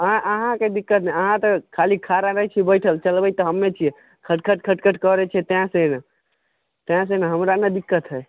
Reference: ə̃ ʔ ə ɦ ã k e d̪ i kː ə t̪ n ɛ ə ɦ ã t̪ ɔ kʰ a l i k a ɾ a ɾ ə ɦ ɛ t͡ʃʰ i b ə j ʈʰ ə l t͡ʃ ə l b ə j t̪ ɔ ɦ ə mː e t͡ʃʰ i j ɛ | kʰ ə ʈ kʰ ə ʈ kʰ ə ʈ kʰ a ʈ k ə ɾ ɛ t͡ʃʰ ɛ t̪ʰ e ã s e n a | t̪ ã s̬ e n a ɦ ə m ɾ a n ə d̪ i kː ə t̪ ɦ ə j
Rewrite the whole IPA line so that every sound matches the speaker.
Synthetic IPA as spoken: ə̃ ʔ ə ɦ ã k e d̪ i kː ə t̪ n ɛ ə ɦ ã t̪ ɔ kʰ a l i kʰ a ɾ a ɾ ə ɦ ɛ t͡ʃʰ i b ə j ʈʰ ə l t͡ʃ ə l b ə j t̪ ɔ ɦ ə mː e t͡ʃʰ i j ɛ | kʰ ə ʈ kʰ ə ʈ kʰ ə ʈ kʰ ə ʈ k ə ɾ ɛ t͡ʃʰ ɛ t̪ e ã s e n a | t̪ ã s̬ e n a ɦ ə m ɾ a n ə d̪ i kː ə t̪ ɦ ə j